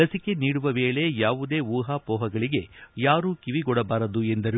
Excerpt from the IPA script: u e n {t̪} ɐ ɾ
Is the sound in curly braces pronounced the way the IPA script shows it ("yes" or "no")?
no